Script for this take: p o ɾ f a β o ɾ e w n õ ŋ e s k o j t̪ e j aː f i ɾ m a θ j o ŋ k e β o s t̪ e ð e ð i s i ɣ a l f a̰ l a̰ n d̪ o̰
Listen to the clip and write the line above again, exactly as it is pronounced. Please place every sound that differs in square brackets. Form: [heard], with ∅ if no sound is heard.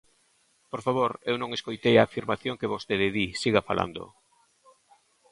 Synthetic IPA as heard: p o ɾ f a β o ɾ e w n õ ŋ e s k o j t̪ e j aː f i ɾ m a θ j o ŋ k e β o s t̪ e ð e ð i s i ɣ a [∅] f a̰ l a̰ n d̪ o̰